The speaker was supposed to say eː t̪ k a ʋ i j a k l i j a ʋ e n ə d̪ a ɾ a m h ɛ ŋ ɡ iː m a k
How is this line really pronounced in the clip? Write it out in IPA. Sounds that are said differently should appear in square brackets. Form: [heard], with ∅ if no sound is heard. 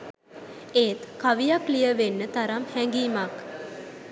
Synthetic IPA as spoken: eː t̪ k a ʋ i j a k l i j [ə] ʋ e [nː] ə [t̪] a ɾ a m h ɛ ŋ ɡ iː m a k